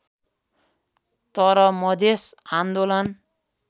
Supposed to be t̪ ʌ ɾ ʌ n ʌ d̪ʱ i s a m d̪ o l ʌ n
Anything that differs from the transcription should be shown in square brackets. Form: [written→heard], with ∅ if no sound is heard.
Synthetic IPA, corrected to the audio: t̪ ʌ ɾ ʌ [n→m] ʌ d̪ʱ [i→e] s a [m→n] d̪ o l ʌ n